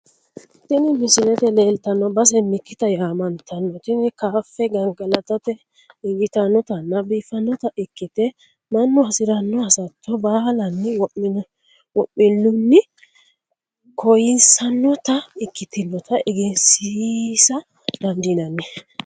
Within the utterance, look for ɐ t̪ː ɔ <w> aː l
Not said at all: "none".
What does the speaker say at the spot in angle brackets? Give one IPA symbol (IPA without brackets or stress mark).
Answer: b